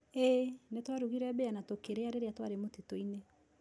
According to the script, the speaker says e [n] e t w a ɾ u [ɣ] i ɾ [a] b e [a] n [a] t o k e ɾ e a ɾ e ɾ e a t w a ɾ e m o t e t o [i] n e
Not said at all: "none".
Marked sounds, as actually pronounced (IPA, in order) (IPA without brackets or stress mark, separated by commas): n, ɣ, ɛ, a, a, i